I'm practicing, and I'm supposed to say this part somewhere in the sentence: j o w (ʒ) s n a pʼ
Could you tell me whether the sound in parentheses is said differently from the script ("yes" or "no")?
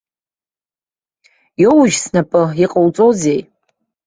no